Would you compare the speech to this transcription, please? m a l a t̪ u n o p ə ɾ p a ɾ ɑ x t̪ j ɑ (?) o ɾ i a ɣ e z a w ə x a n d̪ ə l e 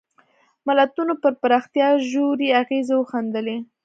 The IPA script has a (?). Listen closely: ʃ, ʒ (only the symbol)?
ʒ